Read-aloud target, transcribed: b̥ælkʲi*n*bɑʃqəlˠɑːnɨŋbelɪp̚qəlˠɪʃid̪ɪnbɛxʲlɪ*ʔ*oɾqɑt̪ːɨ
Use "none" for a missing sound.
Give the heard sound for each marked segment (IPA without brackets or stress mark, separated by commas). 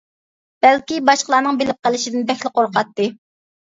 none, q